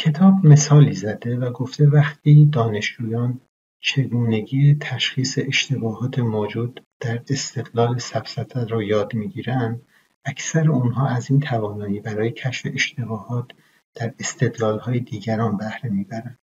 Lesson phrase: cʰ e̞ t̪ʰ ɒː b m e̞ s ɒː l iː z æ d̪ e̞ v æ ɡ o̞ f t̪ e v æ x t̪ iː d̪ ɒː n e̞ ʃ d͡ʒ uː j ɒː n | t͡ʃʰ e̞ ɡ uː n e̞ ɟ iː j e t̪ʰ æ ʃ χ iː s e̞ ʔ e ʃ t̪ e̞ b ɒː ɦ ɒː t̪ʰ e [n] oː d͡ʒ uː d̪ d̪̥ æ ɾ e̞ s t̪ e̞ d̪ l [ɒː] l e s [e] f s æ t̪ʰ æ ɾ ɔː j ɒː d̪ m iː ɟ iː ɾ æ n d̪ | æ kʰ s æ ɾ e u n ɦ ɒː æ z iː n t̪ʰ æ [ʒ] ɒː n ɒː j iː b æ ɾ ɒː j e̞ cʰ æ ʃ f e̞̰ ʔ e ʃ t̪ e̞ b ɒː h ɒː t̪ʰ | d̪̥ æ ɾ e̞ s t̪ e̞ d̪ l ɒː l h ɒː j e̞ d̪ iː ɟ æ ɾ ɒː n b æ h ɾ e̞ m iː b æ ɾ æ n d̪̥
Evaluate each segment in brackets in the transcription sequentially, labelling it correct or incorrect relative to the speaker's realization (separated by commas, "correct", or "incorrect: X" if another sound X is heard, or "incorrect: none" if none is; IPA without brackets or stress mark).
incorrect: m, correct, incorrect: æ, incorrect: v